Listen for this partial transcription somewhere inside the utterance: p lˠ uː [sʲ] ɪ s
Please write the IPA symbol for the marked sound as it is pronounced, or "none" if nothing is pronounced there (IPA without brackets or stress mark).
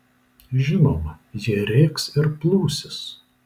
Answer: sʲ